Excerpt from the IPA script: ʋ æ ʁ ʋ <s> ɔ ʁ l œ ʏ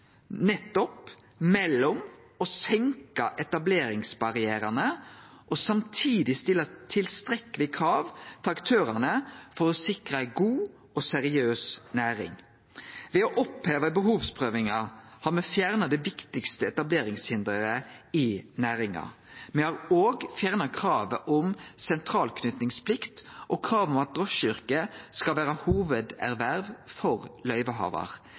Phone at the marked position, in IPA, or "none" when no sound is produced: f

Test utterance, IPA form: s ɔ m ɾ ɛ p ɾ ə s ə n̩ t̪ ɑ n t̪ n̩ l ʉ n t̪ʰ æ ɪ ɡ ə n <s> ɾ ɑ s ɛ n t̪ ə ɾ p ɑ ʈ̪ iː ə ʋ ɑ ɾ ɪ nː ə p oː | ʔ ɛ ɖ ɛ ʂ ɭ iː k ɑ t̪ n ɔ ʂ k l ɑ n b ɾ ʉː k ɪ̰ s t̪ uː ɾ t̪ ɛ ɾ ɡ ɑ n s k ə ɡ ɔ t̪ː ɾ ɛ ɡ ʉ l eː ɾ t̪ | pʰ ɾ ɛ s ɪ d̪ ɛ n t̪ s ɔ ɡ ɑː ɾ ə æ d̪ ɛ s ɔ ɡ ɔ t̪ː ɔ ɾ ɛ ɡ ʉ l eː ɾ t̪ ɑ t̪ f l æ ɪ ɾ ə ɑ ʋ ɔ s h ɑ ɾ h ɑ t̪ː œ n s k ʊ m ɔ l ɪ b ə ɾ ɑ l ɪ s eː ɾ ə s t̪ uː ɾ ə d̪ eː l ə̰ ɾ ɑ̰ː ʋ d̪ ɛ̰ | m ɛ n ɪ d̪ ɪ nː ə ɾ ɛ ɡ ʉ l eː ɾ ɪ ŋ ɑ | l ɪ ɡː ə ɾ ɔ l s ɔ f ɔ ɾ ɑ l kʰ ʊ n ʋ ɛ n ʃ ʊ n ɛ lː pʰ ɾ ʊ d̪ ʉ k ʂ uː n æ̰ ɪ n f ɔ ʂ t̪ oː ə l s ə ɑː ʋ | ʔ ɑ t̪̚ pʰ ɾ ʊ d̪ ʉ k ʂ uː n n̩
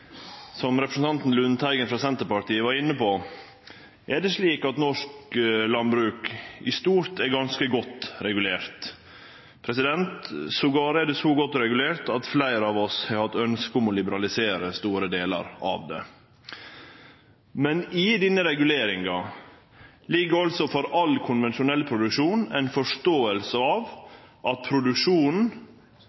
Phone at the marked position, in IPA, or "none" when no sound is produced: f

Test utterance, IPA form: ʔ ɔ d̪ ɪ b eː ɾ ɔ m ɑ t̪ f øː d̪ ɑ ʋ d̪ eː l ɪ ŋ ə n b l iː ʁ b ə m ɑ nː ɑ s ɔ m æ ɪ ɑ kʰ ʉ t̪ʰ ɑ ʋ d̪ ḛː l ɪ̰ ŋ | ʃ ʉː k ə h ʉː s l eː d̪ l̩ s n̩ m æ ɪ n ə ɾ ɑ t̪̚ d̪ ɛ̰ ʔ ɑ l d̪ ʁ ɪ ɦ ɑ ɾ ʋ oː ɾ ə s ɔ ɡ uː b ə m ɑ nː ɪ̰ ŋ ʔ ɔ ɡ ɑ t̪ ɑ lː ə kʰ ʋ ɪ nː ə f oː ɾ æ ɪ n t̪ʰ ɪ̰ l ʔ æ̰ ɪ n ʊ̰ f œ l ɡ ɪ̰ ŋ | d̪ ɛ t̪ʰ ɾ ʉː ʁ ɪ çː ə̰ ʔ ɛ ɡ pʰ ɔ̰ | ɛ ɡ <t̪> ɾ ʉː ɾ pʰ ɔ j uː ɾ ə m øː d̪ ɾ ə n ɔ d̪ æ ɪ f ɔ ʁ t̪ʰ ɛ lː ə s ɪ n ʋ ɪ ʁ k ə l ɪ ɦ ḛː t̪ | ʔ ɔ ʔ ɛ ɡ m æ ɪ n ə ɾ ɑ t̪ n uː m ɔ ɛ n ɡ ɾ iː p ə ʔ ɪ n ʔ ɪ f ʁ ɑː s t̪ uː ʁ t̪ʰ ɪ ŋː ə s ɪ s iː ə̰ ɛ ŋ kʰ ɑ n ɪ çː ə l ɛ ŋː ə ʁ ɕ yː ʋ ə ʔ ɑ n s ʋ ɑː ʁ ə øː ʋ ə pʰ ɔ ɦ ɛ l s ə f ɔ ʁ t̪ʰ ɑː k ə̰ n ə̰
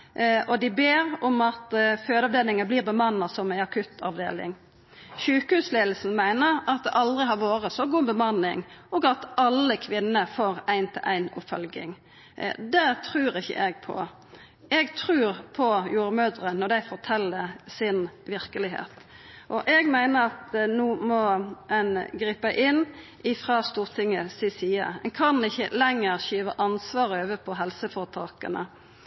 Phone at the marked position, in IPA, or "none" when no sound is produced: t̪ʰ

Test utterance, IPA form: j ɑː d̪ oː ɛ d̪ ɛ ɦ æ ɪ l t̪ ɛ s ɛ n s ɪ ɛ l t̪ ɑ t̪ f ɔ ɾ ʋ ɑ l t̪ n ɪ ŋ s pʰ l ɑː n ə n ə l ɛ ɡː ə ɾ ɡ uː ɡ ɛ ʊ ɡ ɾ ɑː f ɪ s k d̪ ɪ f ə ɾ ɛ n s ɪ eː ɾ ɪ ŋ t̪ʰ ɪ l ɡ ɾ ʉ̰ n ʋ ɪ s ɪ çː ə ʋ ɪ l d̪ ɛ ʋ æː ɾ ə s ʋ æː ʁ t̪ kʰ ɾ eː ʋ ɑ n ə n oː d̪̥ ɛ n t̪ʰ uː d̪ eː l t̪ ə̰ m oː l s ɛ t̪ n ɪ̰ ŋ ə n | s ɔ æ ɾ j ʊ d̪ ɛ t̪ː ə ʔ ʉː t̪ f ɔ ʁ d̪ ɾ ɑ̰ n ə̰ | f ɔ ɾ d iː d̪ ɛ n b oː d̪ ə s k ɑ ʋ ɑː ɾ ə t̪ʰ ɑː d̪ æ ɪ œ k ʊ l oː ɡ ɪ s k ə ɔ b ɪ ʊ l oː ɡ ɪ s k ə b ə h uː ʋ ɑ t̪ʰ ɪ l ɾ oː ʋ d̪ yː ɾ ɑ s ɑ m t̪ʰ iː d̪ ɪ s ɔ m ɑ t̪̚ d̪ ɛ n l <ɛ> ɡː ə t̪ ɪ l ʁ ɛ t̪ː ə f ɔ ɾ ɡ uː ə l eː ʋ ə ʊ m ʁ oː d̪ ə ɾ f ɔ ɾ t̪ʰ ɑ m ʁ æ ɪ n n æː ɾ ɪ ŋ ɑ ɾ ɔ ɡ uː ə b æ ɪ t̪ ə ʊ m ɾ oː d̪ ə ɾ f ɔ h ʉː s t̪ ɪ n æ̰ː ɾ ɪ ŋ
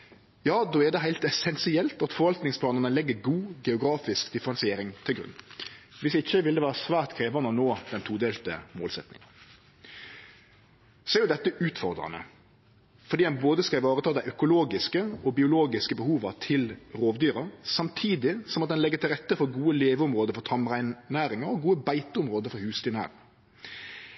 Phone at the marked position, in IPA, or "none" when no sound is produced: ɛ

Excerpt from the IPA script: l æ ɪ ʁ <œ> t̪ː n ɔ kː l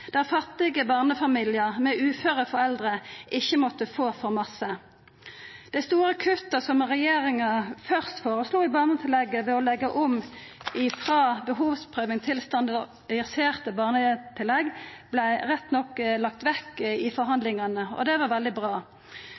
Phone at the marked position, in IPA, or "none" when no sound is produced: ɛ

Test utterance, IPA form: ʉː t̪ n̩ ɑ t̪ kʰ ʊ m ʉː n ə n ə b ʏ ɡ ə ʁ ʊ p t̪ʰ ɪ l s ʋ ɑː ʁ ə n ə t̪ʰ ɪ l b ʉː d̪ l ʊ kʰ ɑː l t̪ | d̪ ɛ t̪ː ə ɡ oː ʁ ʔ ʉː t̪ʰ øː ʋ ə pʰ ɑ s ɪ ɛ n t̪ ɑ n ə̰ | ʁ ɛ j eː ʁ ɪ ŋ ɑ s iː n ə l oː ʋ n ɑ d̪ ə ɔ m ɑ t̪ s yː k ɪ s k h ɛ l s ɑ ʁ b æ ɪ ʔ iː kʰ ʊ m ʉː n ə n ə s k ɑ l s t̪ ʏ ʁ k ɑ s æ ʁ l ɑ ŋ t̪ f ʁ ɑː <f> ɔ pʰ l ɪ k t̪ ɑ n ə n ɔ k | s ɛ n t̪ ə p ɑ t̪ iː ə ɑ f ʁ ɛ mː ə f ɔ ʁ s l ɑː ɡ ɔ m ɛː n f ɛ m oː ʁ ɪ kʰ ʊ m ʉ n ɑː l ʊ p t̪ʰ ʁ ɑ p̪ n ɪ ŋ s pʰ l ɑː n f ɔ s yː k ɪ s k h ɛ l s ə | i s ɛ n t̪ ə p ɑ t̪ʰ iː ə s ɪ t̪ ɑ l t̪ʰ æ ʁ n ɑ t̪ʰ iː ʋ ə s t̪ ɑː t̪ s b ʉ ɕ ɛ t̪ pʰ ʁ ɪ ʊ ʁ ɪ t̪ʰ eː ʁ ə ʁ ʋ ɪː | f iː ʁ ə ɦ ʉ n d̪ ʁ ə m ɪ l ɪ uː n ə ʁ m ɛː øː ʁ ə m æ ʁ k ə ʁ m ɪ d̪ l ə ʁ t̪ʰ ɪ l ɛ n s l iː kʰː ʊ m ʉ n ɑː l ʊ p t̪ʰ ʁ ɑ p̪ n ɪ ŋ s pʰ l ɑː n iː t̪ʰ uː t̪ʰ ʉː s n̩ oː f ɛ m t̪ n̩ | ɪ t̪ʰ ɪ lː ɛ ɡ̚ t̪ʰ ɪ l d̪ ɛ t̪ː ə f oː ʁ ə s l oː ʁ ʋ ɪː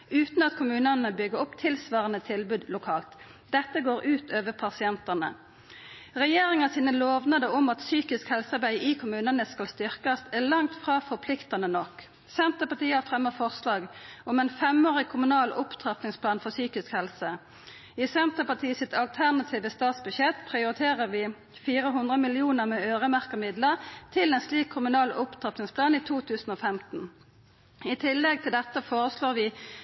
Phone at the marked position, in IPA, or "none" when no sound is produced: f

